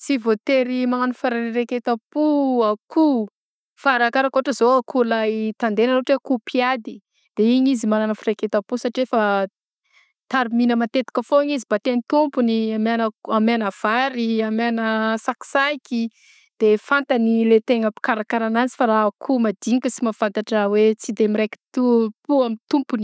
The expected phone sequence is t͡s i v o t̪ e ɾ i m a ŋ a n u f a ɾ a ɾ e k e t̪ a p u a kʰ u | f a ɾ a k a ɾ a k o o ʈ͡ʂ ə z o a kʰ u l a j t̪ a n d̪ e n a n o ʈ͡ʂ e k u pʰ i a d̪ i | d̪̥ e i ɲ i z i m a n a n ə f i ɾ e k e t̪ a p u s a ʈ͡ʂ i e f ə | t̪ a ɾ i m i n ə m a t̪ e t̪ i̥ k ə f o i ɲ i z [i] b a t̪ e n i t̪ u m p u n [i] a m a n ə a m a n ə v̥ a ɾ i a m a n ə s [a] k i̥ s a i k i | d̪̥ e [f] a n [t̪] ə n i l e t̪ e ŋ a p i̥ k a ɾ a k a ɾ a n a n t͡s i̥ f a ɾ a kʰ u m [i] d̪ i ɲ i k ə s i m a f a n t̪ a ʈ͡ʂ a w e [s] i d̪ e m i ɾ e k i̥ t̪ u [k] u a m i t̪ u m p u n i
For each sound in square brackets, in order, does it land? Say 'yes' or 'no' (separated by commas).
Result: yes, yes, yes, yes, yes, no, no, no